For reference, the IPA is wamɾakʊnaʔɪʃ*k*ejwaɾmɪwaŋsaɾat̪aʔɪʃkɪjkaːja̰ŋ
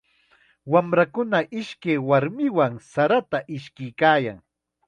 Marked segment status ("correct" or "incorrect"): correct